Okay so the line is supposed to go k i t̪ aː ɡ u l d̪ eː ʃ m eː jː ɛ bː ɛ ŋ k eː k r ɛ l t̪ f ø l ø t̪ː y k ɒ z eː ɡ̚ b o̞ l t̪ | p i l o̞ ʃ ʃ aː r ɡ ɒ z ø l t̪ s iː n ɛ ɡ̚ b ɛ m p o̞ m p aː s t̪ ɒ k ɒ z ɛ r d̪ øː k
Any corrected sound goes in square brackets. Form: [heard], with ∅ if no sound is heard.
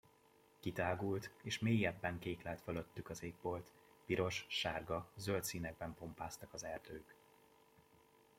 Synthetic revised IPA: k i t̪ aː ɡ u l [t̪] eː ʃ m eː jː ɛ bː ɛ ŋ k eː k [l] ɛ l t̪ f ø l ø t̪ː y k ɒ z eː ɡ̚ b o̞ l t̪ | p i [ɾ] o̞ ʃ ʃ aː r ɡ ɒ z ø l t̪ s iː n ɛ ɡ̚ b ɛ m p o̞ m p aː s t̪ ɒ k ɒ z ɛ r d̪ øː k

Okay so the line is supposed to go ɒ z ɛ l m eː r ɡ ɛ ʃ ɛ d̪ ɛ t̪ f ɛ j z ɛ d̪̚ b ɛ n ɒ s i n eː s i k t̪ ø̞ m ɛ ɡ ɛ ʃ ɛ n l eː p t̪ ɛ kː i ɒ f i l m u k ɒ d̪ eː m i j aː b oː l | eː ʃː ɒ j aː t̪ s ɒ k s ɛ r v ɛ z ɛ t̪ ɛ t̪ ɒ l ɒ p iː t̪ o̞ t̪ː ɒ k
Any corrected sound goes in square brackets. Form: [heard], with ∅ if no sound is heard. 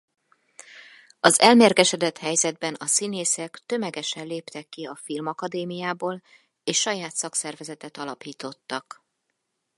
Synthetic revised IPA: ɒ z ɛ l m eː r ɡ ɛ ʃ ɛ d̪ ɛ t̪ [h] ɛ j z ɛ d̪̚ b ɛ n ɒ s i n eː s [ɛ] k t̪ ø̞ m ɛ ɡ ɛ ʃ ɛ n l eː p t̪ ɛ kː i ɒ f i l m [ɒ] k ɒ d̪ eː m i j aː b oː l | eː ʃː ɒ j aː t̪ s ɒ k s ɛ r v ɛ z ɛ t̪ ɛ t̪ ɒ l ɒ p iː t̪ o̞ t̪ː ɒ k

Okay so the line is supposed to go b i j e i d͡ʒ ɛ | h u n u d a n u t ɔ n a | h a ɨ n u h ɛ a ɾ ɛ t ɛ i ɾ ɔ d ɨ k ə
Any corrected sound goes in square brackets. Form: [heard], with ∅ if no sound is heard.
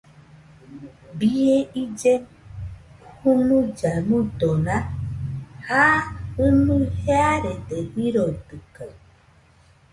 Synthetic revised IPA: b i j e i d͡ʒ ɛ | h u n u [d͡ʒ] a n u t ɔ n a | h a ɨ n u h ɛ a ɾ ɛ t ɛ i ɾ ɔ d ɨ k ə

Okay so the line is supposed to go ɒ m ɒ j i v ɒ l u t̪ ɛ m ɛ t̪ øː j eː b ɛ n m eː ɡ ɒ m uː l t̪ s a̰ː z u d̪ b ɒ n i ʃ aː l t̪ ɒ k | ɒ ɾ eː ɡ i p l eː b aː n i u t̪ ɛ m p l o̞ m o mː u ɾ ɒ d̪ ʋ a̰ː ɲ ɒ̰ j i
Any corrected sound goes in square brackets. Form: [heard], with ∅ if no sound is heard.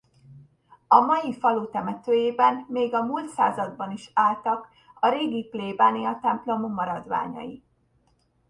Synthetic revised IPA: ɒ m ɒ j i [f] ɒ l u t̪ ɛ m ɛ t̪ øː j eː b ɛ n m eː ɡ ɒ m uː l t̪ s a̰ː z [ɒ] d̪ b ɒ n i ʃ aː l t̪ ɒ k | ɒ ɾ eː ɡ i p l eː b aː n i [ɒ] t̪ ɛ m p l o̞ m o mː [ɒ] ɾ ɒ d̪ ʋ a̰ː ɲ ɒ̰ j i

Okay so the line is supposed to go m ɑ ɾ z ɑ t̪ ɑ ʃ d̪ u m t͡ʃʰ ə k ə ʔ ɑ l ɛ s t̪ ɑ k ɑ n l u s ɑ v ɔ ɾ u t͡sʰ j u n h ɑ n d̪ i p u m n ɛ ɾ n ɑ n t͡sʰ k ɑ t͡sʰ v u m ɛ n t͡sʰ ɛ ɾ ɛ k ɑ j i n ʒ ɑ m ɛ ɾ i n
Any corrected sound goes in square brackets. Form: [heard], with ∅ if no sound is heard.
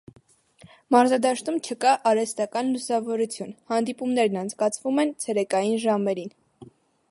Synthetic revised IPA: m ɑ ɾ z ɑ [d̪] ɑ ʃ [t̪] u m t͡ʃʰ ə k [ɑ] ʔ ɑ [ɾ] ɛ s t̪ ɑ k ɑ n l u s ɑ v ɔ ɾ u t͡sʰ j u n h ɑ n d̪ i p u m n ɛ ɾ n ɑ n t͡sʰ k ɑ t͡sʰ v u m ɛ n t͡sʰ ɛ ɾ ɛ k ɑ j i n ʒ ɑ m ɛ ɾ i n

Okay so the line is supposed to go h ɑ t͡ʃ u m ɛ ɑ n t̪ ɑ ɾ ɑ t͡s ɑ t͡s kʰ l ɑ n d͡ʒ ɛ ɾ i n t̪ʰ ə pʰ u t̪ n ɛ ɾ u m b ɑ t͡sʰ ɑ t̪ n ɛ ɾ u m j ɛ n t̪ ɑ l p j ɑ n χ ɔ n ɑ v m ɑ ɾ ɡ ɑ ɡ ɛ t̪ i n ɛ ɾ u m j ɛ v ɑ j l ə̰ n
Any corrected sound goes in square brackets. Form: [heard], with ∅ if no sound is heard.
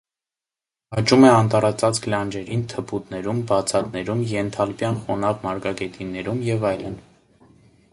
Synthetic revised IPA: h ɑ t͡ʃ u m ɛ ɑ n t̪ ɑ ɾ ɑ t͡s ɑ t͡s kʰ l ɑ n d͡ʒ ɛ ɾ i n t̪ʰ ə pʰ u t̪ n ɛ ɾ u m b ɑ t͡sʰ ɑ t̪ n ɛ ɾ u m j ɛ n [t̪ʰ] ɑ l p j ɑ n χ ɔ n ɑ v m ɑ ɾ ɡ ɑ ɡ ɛ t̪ i n ɛ ɾ u m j ɛ v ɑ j l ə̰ n

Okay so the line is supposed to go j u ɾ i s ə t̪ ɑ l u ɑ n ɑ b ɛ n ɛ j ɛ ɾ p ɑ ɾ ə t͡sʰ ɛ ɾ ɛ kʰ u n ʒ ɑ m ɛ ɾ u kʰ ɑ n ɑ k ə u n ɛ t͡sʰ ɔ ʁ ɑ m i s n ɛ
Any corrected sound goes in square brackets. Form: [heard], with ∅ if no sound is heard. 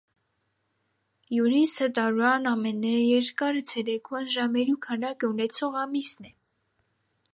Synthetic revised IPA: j u ɾ i s ə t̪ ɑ [ɾ] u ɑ n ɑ [m] ɛ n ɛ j ɛ ɾ [k] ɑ ɾ ə t͡sʰ ɛ ɾ ɛ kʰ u n ʒ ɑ m ɛ ɾ u kʰ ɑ n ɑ k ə u n ɛ t͡sʰ ɔ ʁ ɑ m i s n ɛ

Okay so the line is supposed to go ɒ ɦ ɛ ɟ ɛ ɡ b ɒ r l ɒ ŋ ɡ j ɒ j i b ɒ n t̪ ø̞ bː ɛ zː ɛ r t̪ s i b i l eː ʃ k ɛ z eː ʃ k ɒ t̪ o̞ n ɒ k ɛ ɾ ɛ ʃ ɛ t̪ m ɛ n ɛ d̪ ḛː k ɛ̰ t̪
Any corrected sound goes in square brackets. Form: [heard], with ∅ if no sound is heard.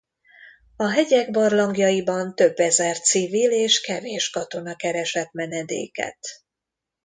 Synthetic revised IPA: ɒ ɦ ɛ ɟ ɛ ɡ b ɒ r l ɒ ŋ ɡ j ɒ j i b ɒ n t̪ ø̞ bː ɛ [z] ɛ r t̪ s i [v] i l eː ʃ k ɛ [v] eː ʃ k ɒ t̪ o̞ n ɒ k ɛ ɾ ɛ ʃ ɛ t̪ m ɛ n ɛ d̪ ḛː k ɛ̰ t̪

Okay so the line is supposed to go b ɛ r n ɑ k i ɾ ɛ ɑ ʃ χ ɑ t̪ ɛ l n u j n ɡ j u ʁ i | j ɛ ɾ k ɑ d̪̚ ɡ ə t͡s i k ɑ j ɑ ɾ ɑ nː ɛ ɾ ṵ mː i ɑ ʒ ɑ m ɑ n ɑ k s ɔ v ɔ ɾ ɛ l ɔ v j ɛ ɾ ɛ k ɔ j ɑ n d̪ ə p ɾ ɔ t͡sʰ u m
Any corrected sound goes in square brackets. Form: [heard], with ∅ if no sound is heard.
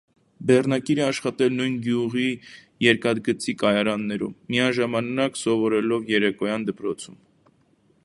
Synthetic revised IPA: b ɛ r n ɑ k i ɾ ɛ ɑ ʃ χ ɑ t̪ ɛ l n u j n ɡ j u ʁ i | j ɛ ɾ k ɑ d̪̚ ɡ ə t͡s i k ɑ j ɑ ɾ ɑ nː ɛ ɾ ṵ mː i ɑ ʒ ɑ m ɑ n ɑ k s ɔ v ɔ ɾ ɛ l ɔ v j ɛ ɾ ɛ k ɔ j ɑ n d̪ ə p ɾ ɔ t͡sʰ u m

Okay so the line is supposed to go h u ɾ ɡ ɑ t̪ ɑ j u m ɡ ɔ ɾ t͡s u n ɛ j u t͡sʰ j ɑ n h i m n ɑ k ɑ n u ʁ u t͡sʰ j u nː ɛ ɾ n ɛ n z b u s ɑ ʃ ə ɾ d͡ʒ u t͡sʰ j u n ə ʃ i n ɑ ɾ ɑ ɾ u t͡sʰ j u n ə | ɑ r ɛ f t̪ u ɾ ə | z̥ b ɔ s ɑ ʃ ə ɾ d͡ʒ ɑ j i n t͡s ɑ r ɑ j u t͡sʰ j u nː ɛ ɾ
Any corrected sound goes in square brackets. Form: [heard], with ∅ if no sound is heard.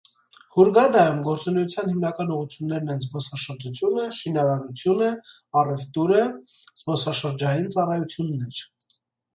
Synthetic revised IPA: h u ɾ ɡ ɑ [d̪] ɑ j u m ɡ ɔ ɾ t͡s u n ɛ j u t͡sʰ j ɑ n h i m n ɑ k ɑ n u ʁ u t͡sʰ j u nː ɛ ɾ n ɛ n z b [ɔ] s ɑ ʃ ə ɾ d͡ʒ u t͡sʰ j u n ə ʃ i n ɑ ɾ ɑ ɾ u t͡sʰ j u n ə | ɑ r ɛ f t̪ u ɾ ə | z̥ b ɔ s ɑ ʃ ə ɾ d͡ʒ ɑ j i n t͡s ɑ r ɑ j u t͡sʰ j u nː ɛ ɾ

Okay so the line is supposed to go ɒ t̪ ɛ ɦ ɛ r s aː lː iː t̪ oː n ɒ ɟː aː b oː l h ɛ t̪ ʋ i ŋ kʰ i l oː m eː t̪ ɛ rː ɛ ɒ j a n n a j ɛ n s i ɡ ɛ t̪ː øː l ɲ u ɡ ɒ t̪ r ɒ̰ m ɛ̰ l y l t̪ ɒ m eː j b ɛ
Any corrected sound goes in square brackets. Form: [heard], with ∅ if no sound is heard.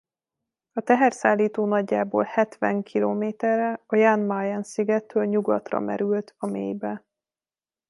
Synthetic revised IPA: ɒ t̪ ɛ ɦ ɛ r s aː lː iː t̪ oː n ɒ ɟː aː b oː l h ɛ t̪ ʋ [ɛ] ŋ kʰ i l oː m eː t̪ ɛ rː ɛ ɒ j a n [m] a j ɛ n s i ɡ ɛ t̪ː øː l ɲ u ɡ ɒ t̪ r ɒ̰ m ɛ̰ [ɾ] y l t̪ ɒ m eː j b ɛ

